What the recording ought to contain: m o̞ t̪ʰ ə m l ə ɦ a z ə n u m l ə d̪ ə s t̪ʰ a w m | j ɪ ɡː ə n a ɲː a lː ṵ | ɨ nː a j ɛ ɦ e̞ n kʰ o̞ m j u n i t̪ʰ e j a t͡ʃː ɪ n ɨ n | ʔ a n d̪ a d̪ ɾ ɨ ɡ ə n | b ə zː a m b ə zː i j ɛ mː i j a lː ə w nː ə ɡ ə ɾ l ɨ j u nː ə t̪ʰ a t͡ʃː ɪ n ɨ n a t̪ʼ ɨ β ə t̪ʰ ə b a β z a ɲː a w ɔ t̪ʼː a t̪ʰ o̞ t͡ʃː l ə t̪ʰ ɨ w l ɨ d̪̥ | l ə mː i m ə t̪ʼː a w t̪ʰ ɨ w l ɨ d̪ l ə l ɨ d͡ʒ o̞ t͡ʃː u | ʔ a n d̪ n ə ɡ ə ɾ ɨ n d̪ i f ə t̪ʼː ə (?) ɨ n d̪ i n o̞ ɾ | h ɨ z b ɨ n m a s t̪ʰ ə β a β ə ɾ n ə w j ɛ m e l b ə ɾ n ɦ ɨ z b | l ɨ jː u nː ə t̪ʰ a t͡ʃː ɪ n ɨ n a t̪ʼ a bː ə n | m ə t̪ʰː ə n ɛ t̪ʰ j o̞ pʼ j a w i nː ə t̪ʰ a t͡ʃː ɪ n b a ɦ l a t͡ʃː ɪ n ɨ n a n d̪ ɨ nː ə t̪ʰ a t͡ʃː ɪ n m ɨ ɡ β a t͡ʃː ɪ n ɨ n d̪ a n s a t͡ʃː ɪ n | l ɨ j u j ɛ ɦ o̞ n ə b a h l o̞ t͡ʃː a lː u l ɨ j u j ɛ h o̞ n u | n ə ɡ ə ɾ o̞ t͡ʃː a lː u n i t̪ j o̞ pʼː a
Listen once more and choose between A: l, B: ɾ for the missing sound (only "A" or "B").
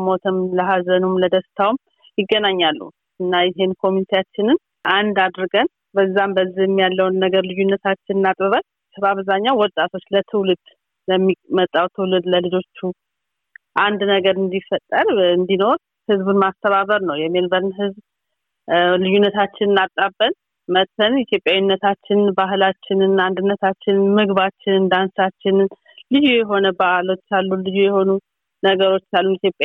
B